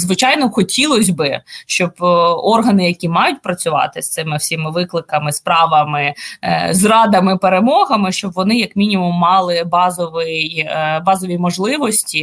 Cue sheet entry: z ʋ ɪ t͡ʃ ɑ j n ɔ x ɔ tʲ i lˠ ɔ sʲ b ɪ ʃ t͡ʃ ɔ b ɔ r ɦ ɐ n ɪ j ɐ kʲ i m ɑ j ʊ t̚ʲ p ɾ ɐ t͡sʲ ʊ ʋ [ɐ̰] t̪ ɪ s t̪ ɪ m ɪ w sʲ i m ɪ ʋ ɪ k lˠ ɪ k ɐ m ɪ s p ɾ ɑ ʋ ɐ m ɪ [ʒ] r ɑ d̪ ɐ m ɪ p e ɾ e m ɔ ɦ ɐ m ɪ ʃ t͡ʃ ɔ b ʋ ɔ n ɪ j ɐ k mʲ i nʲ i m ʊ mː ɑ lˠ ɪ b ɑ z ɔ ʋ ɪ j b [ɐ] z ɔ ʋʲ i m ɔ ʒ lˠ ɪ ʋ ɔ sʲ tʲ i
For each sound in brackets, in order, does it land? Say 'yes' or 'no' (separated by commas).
no, no, no